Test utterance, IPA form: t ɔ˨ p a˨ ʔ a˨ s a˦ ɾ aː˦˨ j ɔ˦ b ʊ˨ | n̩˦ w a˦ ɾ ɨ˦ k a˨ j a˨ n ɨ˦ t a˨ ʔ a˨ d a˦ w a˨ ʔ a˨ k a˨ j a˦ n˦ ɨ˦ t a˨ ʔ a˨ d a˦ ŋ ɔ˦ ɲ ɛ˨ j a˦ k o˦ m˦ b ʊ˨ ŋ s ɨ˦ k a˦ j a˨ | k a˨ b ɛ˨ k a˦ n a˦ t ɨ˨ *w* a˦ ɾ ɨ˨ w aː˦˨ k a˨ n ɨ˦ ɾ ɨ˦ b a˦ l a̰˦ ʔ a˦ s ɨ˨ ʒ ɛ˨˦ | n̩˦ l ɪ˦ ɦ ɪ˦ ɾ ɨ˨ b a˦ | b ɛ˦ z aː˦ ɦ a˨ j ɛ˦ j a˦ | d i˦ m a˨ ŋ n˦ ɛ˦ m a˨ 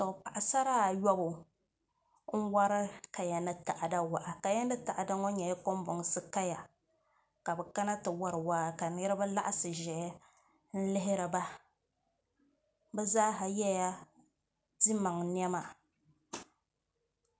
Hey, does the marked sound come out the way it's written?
yes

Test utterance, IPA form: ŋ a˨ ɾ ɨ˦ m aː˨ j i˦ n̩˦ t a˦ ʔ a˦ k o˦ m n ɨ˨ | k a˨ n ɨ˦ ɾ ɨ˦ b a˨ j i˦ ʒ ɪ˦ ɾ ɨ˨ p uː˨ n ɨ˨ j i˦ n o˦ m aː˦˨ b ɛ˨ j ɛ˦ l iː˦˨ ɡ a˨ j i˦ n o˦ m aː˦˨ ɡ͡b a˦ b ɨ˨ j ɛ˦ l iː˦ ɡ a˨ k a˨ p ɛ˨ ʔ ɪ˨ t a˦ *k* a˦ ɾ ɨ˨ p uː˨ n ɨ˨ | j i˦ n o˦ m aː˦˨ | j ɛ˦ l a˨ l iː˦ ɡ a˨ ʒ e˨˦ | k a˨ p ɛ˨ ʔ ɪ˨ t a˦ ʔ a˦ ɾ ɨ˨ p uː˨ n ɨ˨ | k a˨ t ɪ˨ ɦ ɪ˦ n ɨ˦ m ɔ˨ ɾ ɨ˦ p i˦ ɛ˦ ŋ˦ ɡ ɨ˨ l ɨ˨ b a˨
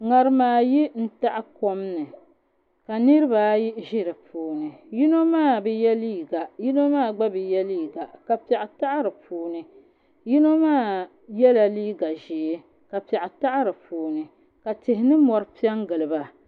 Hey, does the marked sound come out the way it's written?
no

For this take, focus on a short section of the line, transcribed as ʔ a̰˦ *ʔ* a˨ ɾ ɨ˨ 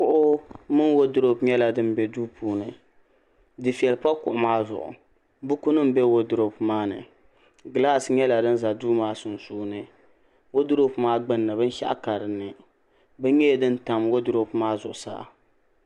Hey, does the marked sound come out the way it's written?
no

